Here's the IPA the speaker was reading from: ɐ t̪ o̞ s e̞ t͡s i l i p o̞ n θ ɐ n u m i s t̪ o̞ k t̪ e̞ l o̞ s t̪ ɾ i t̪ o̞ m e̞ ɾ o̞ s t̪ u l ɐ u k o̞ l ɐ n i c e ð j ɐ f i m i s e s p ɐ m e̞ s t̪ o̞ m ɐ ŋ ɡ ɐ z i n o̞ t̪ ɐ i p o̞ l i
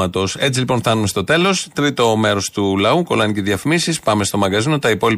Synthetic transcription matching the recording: ɐ t̪ o̞ s e̞ t͡s i l i p o̞ n θ ɐ n u m e s t̪ o̞ t̪ e̞ l o̞ s t̪ ɾ i t̪ o̞ m e̞ ɾ o̞ s t̪ u l ɐ u k o̞ l ɐ n i c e ð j ɐ f i m i s i s p ɐ m e̞ s t̪ o̞ m ɐ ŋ ɡ ɐ z i n o̞ t̪ ɐ i p o̞ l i